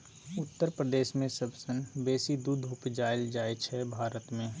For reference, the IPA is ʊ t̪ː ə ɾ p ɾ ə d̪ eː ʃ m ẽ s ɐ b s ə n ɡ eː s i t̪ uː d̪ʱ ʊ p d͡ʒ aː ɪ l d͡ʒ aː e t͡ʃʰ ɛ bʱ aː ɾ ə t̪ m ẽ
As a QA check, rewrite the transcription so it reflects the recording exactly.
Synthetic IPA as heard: ʊ t̪ː ə ɾ p ɾ ə d̪ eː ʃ m ẽ s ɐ b s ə n b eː s i d̪ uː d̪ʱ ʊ p d͡ʒ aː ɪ l d͡ʒ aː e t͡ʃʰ ɛ bʱ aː ɾ ə t̪ m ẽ